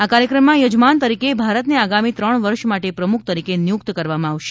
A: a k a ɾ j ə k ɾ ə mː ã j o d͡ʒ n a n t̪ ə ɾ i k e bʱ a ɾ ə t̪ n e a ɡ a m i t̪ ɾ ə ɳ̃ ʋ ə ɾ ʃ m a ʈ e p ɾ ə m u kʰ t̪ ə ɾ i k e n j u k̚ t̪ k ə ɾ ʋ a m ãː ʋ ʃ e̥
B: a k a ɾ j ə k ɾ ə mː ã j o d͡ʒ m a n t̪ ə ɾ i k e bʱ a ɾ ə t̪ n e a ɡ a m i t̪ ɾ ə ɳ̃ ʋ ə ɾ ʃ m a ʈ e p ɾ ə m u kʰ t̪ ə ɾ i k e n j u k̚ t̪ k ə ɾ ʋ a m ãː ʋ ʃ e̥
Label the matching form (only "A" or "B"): B